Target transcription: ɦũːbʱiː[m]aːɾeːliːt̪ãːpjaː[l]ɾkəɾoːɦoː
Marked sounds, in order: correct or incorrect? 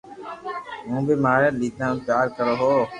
correct, incorrect

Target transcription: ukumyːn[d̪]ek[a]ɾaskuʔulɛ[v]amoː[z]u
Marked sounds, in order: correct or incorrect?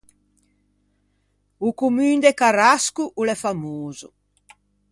correct, correct, incorrect, correct

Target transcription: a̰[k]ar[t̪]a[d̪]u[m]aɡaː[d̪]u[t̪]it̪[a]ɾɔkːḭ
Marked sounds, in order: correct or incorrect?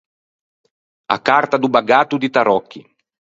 correct, correct, correct, incorrect, incorrect, incorrect, correct

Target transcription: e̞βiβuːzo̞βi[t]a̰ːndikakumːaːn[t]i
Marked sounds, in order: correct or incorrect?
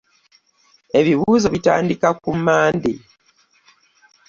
correct, incorrect

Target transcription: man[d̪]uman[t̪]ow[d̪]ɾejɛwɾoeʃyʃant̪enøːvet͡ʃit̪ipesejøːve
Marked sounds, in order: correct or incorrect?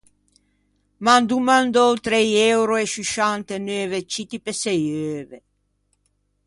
correct, incorrect, incorrect

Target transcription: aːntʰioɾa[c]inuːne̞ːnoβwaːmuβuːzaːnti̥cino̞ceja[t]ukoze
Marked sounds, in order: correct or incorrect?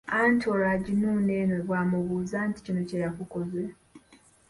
incorrect, incorrect

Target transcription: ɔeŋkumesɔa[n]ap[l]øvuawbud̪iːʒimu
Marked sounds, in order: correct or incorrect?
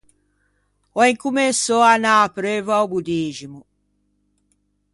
correct, incorrect

